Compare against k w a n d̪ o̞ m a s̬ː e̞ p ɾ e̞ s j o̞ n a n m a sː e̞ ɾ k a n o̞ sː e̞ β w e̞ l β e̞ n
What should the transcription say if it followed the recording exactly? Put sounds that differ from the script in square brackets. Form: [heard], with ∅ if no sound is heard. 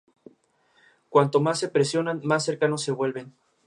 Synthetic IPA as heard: k w a n [t̪] o̞ m a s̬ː e̞ p ɾ e̞ s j o̞ n a n m a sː e̞ ɾ k a n o̞ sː e̞ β w e̞ l β e̞ n